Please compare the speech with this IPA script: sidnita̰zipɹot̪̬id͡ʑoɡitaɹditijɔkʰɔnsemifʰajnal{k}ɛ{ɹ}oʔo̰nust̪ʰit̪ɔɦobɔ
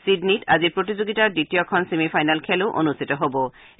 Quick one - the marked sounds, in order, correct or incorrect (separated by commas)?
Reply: incorrect, incorrect